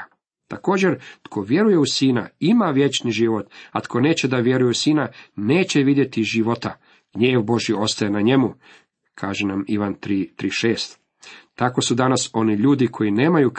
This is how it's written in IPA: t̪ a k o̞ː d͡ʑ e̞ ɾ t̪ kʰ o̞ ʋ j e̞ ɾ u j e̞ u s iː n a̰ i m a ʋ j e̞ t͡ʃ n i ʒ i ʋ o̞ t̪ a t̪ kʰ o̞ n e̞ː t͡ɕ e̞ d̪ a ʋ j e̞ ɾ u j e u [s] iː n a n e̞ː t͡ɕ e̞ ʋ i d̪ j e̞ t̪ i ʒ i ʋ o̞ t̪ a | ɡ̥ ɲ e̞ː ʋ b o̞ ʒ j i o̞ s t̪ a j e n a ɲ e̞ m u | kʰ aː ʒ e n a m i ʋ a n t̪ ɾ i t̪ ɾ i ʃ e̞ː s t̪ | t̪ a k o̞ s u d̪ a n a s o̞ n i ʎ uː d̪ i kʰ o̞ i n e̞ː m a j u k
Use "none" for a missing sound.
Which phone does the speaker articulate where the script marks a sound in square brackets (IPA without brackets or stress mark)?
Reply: s